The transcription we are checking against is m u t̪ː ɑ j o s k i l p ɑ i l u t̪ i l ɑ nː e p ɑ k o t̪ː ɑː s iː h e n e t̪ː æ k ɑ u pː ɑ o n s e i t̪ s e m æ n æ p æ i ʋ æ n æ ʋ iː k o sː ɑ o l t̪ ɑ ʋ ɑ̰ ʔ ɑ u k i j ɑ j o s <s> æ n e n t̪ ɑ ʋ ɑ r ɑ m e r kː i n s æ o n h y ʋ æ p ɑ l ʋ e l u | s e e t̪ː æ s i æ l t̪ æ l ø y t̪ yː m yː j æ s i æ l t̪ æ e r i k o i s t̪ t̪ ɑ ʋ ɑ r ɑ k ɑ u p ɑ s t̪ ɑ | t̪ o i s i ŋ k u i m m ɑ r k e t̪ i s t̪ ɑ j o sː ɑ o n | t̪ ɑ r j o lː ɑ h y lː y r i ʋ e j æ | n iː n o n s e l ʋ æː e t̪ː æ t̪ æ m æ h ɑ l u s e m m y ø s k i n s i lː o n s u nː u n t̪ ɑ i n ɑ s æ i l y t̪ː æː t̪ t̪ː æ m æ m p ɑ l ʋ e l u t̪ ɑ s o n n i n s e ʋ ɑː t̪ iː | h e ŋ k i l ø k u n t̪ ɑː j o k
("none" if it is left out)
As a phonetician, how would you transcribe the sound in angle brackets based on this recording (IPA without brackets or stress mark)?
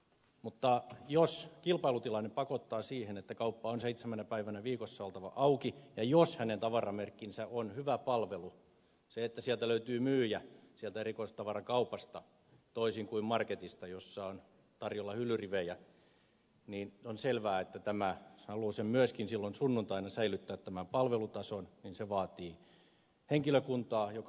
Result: h